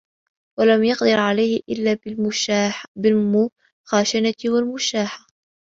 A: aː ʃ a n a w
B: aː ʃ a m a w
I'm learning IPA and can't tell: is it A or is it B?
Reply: A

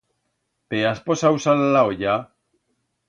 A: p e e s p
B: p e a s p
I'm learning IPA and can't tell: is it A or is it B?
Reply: B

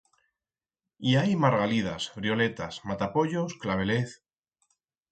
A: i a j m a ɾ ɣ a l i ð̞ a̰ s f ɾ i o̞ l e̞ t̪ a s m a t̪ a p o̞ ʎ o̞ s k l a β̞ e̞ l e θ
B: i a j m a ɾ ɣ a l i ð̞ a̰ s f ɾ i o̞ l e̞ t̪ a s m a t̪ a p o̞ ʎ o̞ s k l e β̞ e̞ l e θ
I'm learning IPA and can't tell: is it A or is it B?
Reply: A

